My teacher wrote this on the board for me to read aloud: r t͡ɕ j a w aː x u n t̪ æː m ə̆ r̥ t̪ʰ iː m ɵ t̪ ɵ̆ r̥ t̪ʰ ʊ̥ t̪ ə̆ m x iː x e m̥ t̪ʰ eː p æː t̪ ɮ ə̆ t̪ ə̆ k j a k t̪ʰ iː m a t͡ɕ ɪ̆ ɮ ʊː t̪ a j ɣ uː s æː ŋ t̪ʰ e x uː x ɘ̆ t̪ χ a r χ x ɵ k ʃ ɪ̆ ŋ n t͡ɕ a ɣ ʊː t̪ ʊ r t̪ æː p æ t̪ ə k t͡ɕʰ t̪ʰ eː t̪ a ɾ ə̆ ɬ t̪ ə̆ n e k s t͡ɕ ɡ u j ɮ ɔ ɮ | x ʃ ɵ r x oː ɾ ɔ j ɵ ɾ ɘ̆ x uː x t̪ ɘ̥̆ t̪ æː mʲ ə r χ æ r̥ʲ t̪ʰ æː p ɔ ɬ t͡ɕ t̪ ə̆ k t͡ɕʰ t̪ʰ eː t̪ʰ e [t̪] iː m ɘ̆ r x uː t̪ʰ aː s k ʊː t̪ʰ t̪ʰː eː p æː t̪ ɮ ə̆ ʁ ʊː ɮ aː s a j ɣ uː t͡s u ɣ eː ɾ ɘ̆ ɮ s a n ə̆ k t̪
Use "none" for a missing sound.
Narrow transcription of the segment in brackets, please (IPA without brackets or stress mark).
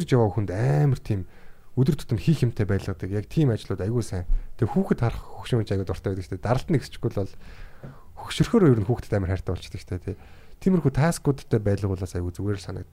t̪ʰ